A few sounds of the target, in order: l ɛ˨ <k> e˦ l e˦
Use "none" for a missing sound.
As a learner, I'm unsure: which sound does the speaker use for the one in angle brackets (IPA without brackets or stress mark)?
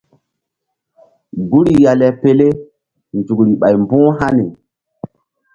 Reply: p